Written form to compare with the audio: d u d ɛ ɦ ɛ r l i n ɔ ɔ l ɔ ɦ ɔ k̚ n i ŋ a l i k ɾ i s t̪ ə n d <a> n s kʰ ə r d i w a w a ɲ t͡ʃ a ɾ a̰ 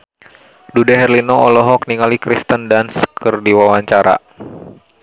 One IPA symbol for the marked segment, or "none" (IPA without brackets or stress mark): a